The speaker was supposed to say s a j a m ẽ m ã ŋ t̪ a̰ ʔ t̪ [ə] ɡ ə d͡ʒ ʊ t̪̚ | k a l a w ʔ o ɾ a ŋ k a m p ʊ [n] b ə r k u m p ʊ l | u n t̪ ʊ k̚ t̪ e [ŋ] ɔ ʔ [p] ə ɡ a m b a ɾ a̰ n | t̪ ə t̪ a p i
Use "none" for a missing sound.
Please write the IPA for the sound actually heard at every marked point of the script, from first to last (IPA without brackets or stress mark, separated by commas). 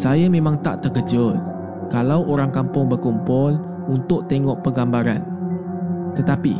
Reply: ə, ŋ, ŋ, p